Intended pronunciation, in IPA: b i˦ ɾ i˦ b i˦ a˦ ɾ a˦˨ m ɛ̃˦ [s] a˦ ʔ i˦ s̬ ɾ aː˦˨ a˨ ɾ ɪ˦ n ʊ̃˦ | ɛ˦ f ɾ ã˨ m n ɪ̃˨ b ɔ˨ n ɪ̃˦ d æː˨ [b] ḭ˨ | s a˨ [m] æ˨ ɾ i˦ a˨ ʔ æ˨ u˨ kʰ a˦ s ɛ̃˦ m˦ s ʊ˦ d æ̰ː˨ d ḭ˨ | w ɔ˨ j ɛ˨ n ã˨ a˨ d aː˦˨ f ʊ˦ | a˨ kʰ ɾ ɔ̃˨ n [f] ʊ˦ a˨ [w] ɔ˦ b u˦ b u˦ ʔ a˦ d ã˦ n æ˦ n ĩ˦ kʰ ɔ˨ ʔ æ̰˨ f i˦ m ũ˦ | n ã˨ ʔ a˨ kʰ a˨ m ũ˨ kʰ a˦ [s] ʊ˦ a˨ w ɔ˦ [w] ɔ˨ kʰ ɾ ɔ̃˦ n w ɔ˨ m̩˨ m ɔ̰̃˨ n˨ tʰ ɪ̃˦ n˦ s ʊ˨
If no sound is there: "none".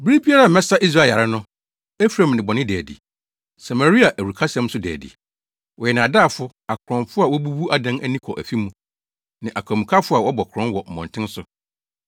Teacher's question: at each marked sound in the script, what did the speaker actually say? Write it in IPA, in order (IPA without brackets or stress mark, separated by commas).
s, d, m, f, w, f, b